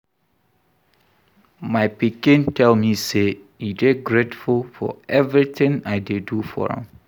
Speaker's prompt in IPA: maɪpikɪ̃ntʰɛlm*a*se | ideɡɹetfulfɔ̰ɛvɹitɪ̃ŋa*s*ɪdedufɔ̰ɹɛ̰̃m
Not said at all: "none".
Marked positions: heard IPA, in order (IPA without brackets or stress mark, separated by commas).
i, none